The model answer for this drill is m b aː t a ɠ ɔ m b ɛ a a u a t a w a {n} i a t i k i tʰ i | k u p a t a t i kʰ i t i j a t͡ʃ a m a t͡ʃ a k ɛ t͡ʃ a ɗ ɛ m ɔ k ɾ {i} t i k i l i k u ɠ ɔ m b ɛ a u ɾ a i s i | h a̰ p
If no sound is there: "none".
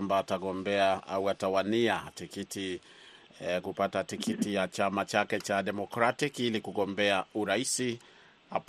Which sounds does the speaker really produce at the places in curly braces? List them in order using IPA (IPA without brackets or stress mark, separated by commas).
n, a